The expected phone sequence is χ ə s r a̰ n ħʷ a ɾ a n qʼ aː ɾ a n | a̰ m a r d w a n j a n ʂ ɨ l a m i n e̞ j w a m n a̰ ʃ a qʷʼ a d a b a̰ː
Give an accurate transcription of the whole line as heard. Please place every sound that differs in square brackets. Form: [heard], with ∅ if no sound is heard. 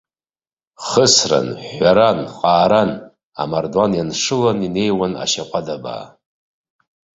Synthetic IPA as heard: χ ə s r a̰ n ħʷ a ɾ a n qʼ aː ɾ a n | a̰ m a r d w a n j a n ʂ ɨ l a [n] i n e̞ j w a [∅] n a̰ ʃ a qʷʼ a d a b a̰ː

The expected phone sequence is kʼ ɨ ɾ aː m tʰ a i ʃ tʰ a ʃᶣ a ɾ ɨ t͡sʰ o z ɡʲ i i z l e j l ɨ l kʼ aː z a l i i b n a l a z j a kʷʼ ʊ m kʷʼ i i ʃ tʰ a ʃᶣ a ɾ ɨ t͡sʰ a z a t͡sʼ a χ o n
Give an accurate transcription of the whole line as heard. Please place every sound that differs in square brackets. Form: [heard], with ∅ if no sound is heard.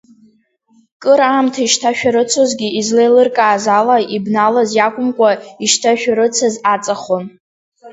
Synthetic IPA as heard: kʼ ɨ ɾ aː m tʰ a i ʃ tʰ a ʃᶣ a ɾ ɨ t͡sʰ o z ɡʲ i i z l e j l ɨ [r] kʼ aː z a l [a] i b n a l a z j a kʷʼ ʊ m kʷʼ [a] i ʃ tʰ a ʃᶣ a ɾ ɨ t͡sʰ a z a t͡sʼ a χ o n

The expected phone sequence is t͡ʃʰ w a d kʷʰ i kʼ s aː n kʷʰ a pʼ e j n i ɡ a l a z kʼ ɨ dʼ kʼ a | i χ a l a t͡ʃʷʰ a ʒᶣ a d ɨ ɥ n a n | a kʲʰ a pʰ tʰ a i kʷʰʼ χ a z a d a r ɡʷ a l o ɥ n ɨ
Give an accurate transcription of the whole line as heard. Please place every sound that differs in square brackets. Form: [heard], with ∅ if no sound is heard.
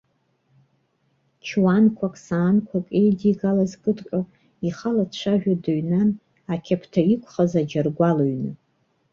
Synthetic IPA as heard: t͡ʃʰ w a [n] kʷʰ [a] kʼ s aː n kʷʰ a [kʼ] e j [d] i ɡ a l a z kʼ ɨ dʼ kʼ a | i χ a l a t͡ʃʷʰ a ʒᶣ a d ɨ ɥ n a n | a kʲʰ a pʰ tʰ a i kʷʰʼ χ a z a [d͡ʒ] a r ɡʷ a l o ɥ n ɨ

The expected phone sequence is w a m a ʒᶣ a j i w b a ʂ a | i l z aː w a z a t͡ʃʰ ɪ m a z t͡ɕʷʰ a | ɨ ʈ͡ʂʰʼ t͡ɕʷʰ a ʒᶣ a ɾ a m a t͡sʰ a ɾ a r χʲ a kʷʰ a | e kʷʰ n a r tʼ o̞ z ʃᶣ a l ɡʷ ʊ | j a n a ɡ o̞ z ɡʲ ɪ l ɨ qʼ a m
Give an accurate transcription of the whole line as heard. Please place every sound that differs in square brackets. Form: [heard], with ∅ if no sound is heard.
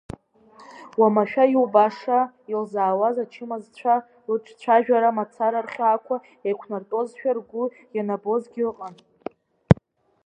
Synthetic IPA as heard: w a m a [ʃᶣ] a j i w b a ʂ a | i l z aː w a z a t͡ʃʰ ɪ m a z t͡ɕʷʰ a | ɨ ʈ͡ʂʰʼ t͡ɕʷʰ a ʒᶣ a ɾ a m a t͡sʰ a ɾ a r χʲ a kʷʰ a | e kʷʰ n a r tʼ o̞ z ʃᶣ a [r] ɡʷ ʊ | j a n a [b] o̞ z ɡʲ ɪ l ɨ qʼ a [n]

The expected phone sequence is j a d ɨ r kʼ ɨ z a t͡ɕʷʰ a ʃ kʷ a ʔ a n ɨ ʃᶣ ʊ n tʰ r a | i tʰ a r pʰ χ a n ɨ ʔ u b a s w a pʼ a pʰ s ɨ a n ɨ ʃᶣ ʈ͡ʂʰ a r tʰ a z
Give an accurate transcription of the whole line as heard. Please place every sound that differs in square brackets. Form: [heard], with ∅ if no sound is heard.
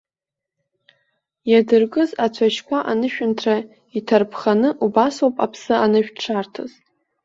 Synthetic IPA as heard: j a d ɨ r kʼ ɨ z a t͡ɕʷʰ a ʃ kʷ a ʔ a n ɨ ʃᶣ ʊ n tʰ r a | i tʰ a r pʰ χ a n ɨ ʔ u b a s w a pʼ a pʰ s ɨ a n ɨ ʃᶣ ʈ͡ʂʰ a r tʰ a z

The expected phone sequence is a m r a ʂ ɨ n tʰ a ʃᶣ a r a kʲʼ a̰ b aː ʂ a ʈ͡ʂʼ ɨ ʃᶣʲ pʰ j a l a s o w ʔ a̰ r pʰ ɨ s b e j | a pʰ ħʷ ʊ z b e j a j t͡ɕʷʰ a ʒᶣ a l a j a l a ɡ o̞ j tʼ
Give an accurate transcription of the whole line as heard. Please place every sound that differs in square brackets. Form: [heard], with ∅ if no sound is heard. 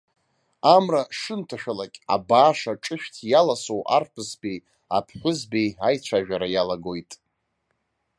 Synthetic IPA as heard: a m r a ʂ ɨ n tʰ a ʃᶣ a [l] a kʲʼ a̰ b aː ʂ a ʈ͡ʂʼ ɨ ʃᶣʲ [tʰ] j a l a s o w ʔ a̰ r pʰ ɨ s b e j | a pʰ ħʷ ʊ z b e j a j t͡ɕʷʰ a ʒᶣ a [ɾ] a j a l a ɡ o̞ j tʼ

